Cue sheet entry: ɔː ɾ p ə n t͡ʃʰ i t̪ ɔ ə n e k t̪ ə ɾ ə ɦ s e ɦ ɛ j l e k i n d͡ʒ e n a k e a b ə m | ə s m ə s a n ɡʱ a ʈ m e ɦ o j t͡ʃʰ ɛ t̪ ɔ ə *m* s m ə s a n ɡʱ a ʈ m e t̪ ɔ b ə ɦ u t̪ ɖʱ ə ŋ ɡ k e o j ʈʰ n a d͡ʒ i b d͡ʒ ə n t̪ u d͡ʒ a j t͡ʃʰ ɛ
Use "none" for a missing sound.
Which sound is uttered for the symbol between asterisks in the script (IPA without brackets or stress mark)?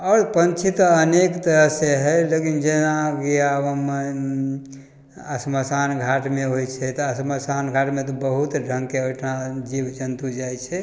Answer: none